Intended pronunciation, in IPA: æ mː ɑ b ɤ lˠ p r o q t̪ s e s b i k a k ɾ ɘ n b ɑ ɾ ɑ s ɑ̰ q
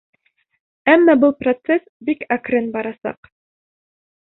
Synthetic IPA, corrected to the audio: æ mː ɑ b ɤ lˠ p r o t̪ s e s b i k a k ɾ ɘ n b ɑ ɾ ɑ s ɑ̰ q